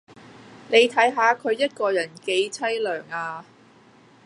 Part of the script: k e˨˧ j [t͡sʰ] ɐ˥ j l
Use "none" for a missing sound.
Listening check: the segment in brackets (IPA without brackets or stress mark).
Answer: t͡sʰ